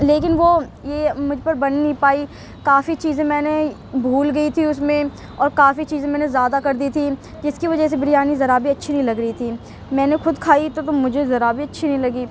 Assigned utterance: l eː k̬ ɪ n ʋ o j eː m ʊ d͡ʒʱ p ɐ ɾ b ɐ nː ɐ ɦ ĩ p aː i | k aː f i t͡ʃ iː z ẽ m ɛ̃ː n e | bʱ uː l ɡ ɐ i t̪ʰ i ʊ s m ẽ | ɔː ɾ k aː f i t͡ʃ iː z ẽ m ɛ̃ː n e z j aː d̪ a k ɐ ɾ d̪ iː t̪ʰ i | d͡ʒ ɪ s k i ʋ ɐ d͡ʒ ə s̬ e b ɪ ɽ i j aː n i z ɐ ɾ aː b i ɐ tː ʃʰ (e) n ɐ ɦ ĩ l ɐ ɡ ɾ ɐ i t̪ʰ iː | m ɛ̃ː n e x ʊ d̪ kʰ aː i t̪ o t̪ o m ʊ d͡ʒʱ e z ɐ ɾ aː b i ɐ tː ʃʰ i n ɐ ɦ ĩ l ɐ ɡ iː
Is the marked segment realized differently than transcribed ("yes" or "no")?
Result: yes